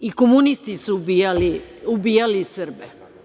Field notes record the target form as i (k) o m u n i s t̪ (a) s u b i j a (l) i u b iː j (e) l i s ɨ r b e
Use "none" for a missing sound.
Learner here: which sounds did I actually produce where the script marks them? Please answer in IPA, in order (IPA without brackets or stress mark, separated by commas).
k, i, l, a